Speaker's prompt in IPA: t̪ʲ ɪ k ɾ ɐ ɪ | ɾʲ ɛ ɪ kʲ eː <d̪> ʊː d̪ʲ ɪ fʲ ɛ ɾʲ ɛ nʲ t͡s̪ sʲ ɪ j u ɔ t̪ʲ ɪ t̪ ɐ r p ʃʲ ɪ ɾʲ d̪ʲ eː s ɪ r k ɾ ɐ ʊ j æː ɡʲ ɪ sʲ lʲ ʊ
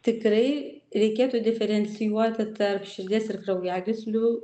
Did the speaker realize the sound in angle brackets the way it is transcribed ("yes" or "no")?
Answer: no